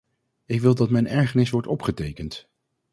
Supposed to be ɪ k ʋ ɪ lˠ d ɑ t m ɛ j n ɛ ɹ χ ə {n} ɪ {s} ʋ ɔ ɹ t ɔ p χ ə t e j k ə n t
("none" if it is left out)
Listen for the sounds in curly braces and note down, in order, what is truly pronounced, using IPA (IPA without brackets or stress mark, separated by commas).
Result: n, s